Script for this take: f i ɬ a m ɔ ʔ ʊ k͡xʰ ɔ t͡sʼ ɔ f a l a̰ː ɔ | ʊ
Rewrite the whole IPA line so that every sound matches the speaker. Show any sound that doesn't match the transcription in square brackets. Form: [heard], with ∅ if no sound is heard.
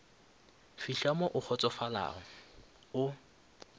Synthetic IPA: f i ɬ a m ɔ ʔ ʊ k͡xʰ ɔ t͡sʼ ɔ f a l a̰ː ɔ | ʊ